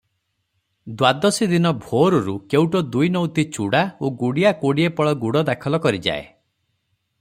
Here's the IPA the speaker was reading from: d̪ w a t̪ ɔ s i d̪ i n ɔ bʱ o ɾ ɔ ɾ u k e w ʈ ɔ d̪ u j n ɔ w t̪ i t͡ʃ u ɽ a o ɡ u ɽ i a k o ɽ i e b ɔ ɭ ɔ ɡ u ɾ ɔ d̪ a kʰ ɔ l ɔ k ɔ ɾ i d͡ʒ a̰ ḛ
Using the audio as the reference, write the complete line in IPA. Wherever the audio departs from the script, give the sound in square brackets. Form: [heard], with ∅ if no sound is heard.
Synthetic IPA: d̪ w a [d̪] ɔ s i d̪ i n ɔ bʱ o ɾ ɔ ɾ u k e w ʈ ɔ d̪ u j n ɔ w t̪ i t͡ʃ u ɽ a o ɡ u ɽ i a k o ɽ i e [p] ɔ ɭ ɔ ɡ u [ɽ] ɔ d̪ a kʰ ɔ l ɔ k ɔ ɾ i d͡ʒ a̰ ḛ

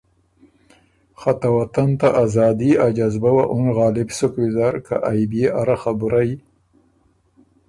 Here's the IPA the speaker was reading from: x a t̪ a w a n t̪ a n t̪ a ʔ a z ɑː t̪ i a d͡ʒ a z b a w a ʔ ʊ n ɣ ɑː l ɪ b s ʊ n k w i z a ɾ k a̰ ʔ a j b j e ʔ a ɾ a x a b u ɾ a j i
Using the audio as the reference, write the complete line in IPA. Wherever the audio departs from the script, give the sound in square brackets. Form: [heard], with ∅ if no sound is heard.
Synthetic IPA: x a t̪ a w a [∅] t̪ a n t̪ a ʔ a z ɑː [d̪] i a d͡ʒ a z b a w a ʔ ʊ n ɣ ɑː l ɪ b s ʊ [∅] k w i z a ɾ k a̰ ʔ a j b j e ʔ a ɾ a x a b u ɾ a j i

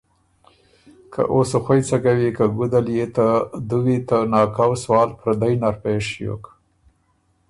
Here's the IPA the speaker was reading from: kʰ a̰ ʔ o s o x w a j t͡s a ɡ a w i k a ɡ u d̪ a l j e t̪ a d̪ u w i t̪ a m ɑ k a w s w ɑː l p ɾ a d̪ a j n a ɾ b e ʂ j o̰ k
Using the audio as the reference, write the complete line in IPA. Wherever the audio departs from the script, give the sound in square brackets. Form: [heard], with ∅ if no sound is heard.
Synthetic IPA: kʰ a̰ ʔ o s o x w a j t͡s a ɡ a w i k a ɡ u d̪ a l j e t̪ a d̪ u w i t̪ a [n] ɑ k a w s w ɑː l p ɾ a d̪ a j n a ɾ [p] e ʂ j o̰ k

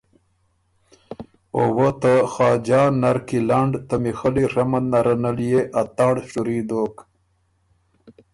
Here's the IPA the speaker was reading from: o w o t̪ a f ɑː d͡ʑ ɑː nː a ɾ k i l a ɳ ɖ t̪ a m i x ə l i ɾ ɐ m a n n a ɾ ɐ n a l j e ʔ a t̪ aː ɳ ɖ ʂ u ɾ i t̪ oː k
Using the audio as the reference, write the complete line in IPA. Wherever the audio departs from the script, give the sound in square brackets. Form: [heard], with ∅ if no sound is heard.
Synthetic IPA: o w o t̪ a [x] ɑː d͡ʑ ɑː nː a ɾ k i l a ɳ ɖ t̪ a m i x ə l i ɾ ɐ m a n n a ɾ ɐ n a l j e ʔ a t̪ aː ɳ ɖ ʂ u ɾ i [d̪] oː k

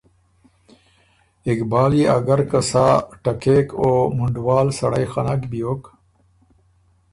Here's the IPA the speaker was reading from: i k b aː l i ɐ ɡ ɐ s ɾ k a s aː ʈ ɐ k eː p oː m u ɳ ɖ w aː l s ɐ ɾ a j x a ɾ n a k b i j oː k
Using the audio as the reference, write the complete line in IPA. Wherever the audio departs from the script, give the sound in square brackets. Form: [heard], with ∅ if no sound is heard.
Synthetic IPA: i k b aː l i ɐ ɡ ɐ [∅] ɾ k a s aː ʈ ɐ k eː [k] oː m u ɳ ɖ w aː l s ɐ [ɽ] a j x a [∅] n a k b i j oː k

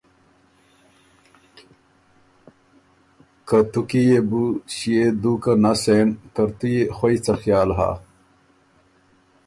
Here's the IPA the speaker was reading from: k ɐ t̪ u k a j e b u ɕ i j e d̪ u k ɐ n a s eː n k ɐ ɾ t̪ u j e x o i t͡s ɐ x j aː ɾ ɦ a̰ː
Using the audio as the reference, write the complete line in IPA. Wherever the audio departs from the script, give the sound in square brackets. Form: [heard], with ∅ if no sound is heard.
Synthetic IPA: k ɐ t̪ u k [i] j e b u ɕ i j e d̪ u k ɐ n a s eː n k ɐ ɾ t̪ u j e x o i t͡s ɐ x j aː [l] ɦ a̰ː

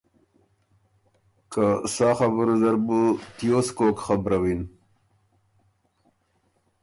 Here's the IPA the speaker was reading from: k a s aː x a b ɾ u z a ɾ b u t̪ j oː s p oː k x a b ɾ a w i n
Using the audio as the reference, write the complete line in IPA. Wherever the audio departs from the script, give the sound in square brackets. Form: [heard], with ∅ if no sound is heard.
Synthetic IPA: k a s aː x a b ɾ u z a ɾ b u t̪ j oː s [k] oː k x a b ɾ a w i n

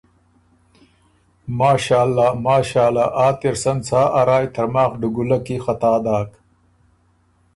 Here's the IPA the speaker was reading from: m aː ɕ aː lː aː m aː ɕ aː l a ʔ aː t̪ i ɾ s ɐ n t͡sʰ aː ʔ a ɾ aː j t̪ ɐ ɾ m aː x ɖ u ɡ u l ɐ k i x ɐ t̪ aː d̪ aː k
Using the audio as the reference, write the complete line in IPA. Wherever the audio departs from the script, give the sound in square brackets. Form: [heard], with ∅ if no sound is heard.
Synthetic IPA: m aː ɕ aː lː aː m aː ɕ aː l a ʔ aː t̪ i ɾ s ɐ n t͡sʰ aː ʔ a ɾ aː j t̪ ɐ ɾ m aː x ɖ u ɡ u l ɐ k i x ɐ t̪ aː d̪ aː k

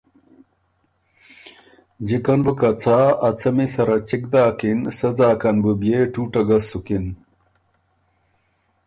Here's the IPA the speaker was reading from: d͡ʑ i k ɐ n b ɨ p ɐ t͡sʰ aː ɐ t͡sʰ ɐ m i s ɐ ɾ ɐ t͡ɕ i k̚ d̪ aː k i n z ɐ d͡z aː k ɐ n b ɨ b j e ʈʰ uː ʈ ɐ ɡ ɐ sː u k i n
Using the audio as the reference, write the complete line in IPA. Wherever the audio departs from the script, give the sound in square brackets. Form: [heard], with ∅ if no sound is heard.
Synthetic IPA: d͡ʑ i k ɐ n b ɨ [k] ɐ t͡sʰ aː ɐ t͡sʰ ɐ m i s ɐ ɾ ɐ t͡ɕ i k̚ d̪ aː k i n [s] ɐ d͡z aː k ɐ n b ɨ b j e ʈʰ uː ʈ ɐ ɡ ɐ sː u k i n

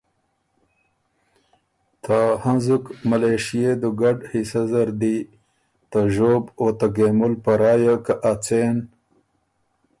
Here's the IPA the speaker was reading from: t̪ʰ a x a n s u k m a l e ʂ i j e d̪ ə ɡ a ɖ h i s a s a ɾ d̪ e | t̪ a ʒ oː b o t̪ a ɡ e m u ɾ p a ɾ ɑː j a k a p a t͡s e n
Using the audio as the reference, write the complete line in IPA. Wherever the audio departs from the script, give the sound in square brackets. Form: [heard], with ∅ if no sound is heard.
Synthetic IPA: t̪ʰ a [h] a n [z] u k m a l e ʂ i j e d̪ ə ɡ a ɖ h i s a [z] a ɾ d̪ [i] | t̪ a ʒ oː b o t̪ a ɡ e m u [l] p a ɾ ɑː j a k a [ʔ] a t͡s e n

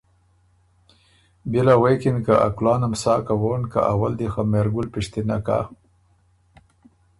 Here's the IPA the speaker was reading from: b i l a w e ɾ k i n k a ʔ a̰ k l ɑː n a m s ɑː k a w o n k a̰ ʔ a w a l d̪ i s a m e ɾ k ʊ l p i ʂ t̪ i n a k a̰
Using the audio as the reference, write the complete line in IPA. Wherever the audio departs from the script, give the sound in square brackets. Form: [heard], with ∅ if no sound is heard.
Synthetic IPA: b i l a w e [∅] k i n k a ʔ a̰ k l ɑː n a m s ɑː k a w o n k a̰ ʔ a w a l d̪ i [x] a m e ɾ [ɡ] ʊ l p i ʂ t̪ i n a k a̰

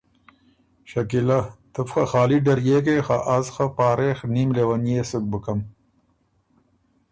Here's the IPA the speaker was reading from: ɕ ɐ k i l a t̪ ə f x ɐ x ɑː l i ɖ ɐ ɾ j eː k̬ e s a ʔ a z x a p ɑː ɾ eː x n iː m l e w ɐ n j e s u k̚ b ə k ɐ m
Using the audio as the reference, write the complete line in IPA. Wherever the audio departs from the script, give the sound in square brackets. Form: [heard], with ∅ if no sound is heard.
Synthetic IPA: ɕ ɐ k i l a t̪ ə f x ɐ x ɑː l i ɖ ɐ ɾ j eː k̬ e [x] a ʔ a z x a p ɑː ɾ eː x n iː m l e w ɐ n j e s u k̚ b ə k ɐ m

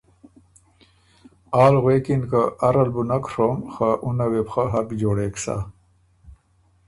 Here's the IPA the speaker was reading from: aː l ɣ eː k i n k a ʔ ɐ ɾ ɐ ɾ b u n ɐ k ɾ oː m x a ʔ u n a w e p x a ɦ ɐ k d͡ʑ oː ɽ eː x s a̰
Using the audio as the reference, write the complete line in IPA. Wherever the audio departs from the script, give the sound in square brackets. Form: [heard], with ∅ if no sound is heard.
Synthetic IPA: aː l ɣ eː k i n k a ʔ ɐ ɾ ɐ [l] b u n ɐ k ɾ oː m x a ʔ u n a w e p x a ɦ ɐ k d͡ʑ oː ɽ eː [k] s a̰

